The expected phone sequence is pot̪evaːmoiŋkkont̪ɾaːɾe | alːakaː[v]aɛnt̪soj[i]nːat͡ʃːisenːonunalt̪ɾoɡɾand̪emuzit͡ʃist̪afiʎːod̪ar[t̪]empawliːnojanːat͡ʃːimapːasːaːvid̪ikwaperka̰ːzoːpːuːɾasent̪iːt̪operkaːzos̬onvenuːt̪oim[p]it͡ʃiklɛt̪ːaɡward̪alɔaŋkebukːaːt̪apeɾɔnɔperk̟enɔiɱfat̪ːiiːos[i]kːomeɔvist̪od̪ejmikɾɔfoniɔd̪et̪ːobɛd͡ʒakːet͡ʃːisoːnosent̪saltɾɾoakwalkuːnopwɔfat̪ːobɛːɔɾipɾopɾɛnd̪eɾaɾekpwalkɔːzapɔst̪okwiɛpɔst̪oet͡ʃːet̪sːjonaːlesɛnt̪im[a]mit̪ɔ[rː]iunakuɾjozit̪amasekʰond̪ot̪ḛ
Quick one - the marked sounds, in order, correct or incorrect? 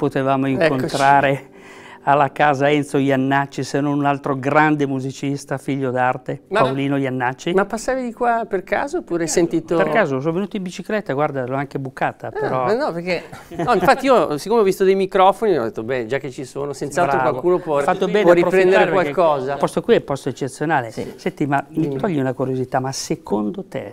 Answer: incorrect, incorrect, correct, incorrect, correct, correct, incorrect

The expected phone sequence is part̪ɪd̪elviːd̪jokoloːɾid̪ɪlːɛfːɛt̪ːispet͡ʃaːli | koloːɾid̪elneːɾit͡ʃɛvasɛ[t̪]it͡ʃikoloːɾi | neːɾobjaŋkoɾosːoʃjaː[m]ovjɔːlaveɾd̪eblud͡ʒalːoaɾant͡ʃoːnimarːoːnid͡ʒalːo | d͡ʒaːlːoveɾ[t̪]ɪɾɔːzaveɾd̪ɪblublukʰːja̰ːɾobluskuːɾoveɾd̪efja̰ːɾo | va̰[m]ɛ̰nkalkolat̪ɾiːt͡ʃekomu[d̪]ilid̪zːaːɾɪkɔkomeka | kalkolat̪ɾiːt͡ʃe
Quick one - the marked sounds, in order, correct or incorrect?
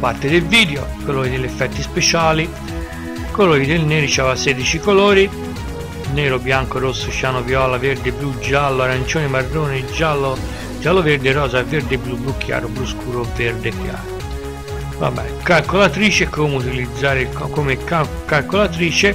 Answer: incorrect, incorrect, incorrect, incorrect, incorrect

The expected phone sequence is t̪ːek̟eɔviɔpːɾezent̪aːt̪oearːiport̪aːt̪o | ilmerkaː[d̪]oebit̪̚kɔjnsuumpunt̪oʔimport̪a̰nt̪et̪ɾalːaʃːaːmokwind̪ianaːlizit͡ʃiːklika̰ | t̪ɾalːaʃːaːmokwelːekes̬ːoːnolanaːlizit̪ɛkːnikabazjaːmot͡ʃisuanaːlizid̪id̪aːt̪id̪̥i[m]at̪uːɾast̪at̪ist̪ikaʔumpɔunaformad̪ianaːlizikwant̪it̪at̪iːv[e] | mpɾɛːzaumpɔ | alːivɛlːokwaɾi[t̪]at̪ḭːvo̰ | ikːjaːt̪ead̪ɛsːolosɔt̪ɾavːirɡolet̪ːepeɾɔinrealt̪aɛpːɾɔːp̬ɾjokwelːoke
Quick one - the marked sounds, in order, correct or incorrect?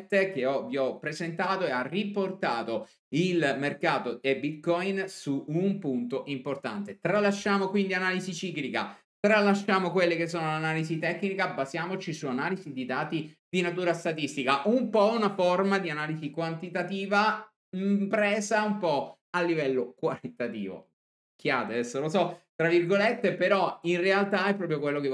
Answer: incorrect, incorrect, incorrect, correct

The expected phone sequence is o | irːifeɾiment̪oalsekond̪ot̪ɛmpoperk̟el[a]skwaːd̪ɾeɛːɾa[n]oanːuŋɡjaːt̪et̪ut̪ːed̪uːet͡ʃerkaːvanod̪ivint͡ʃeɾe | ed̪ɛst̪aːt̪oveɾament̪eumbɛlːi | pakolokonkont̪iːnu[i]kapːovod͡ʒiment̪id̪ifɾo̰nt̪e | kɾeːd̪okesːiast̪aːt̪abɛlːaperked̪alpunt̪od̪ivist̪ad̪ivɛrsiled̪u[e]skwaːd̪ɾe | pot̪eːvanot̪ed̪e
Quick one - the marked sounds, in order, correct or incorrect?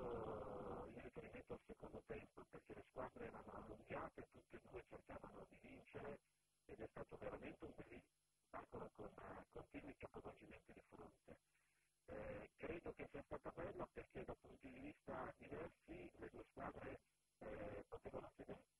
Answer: incorrect, correct, correct, correct

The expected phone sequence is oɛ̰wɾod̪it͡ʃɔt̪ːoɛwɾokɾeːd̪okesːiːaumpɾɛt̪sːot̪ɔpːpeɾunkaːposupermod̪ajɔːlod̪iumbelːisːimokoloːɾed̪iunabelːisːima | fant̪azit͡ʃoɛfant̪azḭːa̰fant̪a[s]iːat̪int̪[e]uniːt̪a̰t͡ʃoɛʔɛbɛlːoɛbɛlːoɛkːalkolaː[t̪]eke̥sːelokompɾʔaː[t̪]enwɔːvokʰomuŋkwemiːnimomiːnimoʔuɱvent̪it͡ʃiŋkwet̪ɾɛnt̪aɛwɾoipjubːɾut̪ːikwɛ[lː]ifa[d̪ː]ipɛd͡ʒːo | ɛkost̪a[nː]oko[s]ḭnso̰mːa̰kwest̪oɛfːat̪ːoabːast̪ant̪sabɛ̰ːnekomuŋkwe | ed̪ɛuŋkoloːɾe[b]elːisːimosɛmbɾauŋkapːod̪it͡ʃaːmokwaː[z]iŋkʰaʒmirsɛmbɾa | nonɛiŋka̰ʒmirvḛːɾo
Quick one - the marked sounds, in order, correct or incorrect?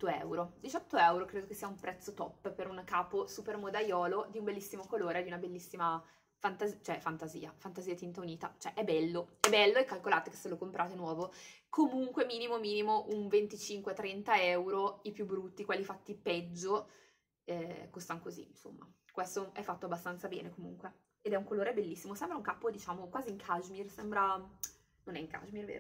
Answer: incorrect, incorrect, correct, correct, correct, incorrect, incorrect, incorrect, correct, correct

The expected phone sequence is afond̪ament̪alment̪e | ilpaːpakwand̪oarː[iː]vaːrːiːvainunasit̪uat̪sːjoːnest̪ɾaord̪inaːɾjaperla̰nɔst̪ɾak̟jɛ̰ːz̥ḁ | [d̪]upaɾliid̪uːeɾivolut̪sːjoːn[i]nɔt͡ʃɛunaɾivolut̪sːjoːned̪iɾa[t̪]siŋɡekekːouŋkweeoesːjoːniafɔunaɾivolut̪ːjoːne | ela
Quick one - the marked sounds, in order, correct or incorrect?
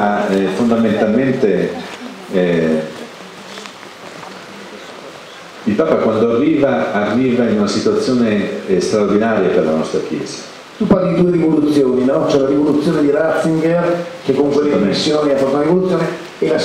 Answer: correct, incorrect, correct, correct

